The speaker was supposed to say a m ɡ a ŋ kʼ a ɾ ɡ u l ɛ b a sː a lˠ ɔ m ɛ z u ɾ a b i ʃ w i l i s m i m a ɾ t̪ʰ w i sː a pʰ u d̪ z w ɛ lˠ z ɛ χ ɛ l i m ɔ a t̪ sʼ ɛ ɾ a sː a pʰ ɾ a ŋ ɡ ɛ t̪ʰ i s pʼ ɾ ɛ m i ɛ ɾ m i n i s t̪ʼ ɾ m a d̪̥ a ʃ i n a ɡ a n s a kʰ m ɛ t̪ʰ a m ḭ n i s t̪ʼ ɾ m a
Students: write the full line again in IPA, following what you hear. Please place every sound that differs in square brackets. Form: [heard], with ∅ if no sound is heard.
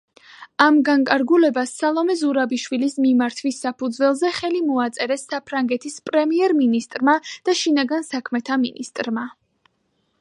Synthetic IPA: a m ɡ a ŋ kʼ a ɾ ɡ u l ɛ b a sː a lˠ ɔ m ɛ z u ɾ a b i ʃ w i l i s m i m a ɾ t̪ʰ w i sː a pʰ u d̪ z w ɛ lˠ z ɛ χ ɛ l i m ɔ a t̪ sʼ ɛ ɾ [ɛ] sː a pʰ ɾ a ŋ ɡ ɛ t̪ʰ i s pʼ ɾ ɛ m i ɛ ɾ m i n i s t̪ʼ ɾ m a d̪̥ a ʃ i n a ɡ a n s a kʰ m ɛ t̪ʰ a m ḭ n i s t̪ʼ ɾ m a